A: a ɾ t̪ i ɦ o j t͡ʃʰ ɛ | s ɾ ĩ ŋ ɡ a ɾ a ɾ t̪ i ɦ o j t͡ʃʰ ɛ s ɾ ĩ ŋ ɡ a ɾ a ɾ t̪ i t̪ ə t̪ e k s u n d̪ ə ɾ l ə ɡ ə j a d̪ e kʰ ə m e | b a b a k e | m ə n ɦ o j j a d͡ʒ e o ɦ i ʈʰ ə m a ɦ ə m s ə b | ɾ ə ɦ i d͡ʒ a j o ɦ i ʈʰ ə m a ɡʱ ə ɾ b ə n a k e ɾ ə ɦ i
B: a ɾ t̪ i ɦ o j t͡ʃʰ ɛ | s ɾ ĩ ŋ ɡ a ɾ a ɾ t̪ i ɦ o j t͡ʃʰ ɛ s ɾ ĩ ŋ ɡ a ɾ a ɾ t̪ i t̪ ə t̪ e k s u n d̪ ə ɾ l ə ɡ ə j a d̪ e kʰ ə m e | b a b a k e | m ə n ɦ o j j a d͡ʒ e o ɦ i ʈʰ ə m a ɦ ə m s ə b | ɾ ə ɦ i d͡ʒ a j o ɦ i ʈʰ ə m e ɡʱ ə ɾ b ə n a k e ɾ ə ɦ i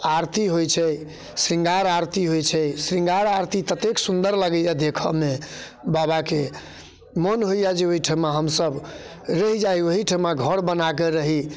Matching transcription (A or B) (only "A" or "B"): A